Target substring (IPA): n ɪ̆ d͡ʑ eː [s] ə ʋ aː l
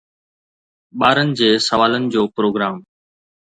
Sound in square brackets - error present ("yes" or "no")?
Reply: no